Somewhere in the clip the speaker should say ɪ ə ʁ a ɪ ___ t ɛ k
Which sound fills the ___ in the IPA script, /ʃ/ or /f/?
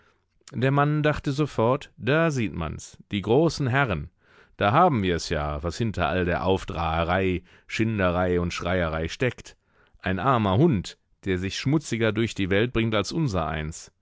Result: ʃ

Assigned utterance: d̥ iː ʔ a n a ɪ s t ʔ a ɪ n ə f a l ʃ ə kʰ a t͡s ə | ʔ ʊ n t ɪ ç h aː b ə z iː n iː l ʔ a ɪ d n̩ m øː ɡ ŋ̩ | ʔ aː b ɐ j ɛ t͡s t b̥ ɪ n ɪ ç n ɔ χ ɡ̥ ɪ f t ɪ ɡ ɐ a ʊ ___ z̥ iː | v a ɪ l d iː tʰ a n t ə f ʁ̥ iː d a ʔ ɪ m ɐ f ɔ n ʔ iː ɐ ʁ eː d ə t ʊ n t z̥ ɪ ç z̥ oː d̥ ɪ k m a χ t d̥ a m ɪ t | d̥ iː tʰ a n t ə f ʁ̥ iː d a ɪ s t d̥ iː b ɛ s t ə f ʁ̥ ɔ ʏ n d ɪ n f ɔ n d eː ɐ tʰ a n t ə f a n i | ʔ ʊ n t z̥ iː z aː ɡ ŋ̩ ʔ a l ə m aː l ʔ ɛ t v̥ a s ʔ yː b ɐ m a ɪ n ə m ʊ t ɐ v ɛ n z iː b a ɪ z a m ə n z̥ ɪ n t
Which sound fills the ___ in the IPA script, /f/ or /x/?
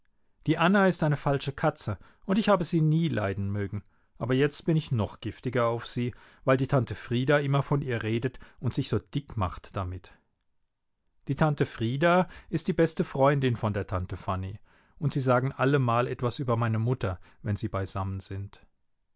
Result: f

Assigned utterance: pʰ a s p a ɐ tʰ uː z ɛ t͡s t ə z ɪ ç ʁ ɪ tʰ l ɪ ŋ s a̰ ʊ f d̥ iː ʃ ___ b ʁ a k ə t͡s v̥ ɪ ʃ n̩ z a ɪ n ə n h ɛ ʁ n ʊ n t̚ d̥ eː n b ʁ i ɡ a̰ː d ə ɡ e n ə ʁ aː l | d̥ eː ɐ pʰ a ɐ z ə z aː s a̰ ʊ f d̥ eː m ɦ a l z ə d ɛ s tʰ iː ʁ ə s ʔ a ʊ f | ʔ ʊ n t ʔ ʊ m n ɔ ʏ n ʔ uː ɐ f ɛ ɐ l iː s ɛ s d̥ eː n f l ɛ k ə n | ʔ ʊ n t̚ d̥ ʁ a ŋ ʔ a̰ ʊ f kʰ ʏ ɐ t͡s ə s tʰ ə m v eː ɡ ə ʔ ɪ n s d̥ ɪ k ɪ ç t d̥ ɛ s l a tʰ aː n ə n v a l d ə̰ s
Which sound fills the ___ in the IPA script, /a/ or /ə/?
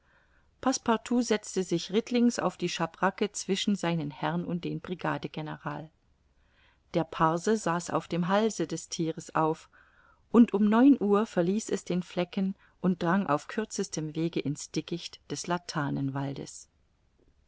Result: a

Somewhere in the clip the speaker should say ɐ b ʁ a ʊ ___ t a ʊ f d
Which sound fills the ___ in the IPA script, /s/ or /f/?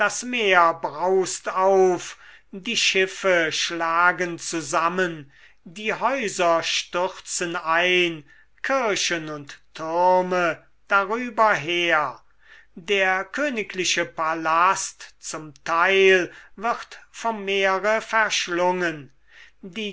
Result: s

